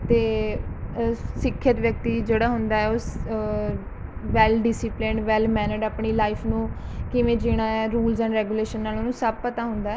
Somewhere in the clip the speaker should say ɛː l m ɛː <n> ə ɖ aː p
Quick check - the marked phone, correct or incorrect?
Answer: correct